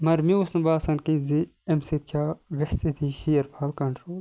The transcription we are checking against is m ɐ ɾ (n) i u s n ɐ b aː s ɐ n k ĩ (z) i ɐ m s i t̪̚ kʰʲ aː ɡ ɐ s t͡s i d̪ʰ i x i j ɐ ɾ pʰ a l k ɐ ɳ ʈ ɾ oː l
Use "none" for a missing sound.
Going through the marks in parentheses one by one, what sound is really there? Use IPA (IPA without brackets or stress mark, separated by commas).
m, z